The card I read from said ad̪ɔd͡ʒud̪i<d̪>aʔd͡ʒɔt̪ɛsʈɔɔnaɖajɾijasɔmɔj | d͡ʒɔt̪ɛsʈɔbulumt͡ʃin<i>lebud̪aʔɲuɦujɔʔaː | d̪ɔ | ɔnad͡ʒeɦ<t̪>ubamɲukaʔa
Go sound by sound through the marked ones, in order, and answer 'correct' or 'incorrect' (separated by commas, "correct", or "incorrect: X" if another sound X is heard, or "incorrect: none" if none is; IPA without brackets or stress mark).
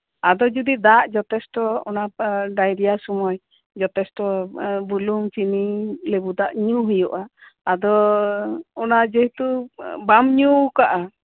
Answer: correct, correct, correct